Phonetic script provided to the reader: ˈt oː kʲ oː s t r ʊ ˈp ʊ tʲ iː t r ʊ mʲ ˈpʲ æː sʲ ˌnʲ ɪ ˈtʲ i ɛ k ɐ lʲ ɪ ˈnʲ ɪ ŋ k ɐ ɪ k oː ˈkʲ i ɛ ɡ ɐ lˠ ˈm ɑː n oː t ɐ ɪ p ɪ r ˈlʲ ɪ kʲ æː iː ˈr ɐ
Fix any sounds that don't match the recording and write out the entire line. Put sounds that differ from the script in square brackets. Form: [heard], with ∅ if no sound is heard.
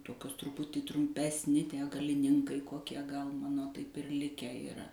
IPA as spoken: ˈt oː kʲ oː s t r ʊ ˈp ʊ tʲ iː t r ʊ mʲ ˈpʲ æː sʲ ˌnʲ ɪ ˈtʲ i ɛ [ɡ] ɐ lʲ ɪ ˈnʲ ɪ ŋ k ɐ ɪ k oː ˈkʲ i ɛ ɡ ɐ lˠ ˈm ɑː n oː t ɐ ɪ p ɪ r ˈlʲ ɪ kʲ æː iː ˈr ɐ